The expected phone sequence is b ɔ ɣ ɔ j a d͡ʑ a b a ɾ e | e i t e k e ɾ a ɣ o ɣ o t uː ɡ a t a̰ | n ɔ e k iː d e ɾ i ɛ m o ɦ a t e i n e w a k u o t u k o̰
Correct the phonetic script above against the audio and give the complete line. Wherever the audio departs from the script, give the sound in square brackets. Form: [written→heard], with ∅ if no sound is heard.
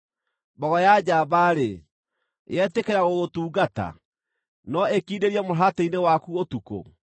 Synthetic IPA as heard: b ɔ ɣ ɔ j a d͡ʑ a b a ɾ e | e [i→ɛ] t e k e ɾ a ɣ o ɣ o t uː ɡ a t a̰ | n ɔ e k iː d e ɾ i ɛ m o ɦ a t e i n e w a k u o t u k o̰